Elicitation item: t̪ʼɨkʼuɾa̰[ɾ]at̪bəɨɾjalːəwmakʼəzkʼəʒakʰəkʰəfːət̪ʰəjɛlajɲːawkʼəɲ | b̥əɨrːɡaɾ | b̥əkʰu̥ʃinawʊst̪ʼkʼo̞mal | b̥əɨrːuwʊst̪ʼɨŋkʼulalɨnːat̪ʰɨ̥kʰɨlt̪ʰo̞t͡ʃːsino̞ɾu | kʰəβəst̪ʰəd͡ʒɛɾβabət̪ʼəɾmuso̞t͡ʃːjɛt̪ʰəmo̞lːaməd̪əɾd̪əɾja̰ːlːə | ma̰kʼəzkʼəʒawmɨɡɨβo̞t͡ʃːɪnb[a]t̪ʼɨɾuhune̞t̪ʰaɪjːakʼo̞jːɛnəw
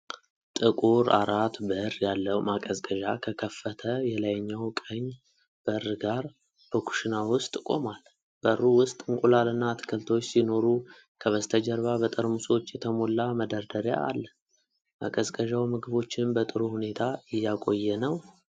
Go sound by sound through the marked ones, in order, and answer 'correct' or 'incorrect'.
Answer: correct, incorrect

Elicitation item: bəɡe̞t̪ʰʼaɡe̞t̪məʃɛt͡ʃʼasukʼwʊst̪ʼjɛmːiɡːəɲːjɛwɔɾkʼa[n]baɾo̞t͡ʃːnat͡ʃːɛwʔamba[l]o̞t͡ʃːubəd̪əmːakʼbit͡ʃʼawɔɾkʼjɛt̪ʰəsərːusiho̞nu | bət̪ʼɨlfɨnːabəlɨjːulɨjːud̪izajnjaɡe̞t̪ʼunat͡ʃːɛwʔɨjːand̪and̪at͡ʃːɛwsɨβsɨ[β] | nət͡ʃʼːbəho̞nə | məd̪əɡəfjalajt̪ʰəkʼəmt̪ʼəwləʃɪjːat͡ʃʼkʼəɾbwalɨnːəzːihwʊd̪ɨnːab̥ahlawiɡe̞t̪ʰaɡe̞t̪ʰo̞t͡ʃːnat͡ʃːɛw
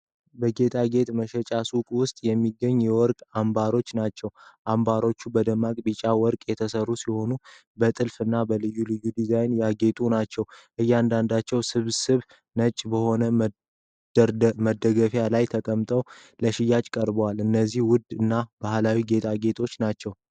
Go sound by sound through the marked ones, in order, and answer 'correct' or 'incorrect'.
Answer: incorrect, incorrect, correct

